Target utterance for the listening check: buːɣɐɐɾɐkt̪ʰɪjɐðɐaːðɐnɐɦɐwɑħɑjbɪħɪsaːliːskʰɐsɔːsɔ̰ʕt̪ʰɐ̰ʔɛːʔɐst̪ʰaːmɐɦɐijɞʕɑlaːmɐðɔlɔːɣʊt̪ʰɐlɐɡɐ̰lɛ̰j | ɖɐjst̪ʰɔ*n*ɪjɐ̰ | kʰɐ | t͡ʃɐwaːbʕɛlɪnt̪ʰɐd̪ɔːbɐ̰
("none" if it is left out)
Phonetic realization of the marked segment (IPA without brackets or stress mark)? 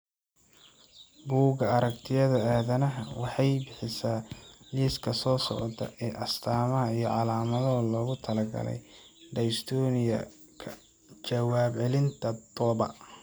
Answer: n